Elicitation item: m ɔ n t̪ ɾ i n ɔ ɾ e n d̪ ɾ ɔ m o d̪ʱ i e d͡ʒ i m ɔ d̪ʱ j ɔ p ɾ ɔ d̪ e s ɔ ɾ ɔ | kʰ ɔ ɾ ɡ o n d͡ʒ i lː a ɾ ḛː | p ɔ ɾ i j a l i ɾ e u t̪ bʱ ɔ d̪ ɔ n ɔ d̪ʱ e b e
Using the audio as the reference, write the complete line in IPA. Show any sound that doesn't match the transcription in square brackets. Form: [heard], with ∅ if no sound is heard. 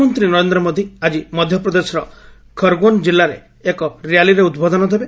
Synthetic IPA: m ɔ n t̪ ɾ i n ɔ ɾ e n d̪ ɾ ɔ m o d̪ʱ i [a] d͡ʒ i m ɔ d̪ʱ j ɔ p ɾ ɔ d̪ e s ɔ ɾ ɔ | kʰ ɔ ɾ ɡ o n d͡ʒ i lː a ɾ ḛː | [k] ɔ ɾ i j a l i ɾ e u [d̪] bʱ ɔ d̪ ɔ n ɔ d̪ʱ e b e